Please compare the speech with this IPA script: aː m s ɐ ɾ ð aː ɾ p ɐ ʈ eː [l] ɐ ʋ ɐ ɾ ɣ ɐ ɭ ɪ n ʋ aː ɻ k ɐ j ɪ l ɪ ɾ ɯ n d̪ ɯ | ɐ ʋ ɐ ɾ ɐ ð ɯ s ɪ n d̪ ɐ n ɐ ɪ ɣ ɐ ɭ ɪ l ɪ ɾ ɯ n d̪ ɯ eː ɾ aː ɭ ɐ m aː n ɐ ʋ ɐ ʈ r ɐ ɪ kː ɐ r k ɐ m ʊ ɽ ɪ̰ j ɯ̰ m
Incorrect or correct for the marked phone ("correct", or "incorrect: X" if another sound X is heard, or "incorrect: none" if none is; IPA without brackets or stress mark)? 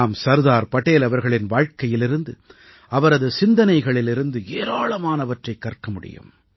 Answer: correct